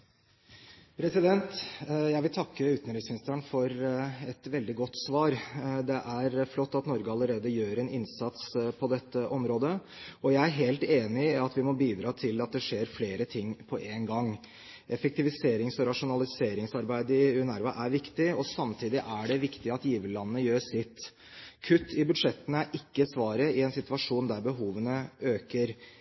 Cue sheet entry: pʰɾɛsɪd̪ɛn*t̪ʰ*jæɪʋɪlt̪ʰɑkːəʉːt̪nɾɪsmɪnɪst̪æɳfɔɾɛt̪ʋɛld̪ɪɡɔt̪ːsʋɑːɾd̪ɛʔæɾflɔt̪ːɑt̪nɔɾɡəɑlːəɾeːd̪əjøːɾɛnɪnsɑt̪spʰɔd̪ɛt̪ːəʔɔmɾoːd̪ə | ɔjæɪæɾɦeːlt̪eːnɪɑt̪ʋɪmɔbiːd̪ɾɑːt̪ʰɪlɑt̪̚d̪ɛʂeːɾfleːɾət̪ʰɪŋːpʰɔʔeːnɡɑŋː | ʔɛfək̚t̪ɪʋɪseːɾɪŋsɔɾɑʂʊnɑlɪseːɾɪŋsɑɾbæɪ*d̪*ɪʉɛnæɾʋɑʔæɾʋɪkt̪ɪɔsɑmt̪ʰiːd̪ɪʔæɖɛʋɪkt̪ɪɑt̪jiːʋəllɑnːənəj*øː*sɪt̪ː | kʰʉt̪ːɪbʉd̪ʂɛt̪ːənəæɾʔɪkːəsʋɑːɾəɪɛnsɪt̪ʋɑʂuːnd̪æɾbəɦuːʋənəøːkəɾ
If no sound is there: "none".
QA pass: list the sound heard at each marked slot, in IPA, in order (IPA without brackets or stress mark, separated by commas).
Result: t̪, d̪, øː